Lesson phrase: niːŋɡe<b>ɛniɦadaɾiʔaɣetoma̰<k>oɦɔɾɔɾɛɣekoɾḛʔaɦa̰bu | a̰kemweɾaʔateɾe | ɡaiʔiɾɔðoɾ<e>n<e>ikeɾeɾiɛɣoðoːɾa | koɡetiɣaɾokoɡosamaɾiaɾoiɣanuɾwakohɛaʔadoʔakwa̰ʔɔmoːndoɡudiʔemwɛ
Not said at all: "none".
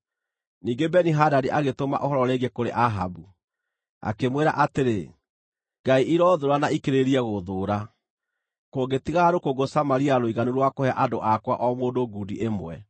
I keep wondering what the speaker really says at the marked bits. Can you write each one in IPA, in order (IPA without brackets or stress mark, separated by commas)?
b, ʔ, a, a